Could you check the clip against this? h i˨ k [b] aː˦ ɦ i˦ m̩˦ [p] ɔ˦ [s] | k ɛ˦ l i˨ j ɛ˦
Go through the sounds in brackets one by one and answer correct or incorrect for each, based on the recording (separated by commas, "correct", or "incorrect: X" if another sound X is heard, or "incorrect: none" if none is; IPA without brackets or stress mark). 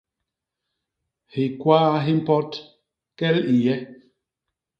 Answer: incorrect: w, correct, incorrect: t